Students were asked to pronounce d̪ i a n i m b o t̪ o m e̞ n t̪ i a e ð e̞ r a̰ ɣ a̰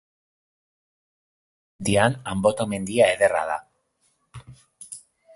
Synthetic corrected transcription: d̪ i a n a m b o t̪ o m e̞ n d̪ i a e ð e̞ r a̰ ð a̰